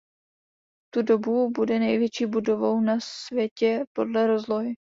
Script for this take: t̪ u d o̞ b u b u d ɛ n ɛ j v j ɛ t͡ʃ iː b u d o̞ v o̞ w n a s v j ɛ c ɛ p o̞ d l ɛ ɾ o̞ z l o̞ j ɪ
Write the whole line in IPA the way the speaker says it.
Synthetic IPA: t̪ u d o̞ b u b u d ɛ n ɛ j v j ɛ t͡ʃ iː b u d o̞ v o̞ w n a s v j ɛ c ɛ p o̞ d l ɛ ɾ o̞ z l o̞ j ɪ